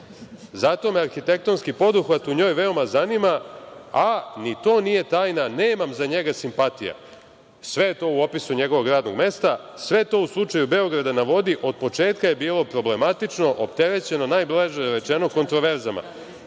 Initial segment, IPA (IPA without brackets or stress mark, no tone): z